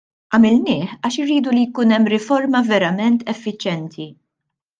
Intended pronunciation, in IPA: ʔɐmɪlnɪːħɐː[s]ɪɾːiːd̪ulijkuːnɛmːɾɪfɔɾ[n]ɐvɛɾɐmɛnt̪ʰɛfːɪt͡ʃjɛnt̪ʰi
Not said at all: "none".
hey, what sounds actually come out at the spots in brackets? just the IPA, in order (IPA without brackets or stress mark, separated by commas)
ʃ, m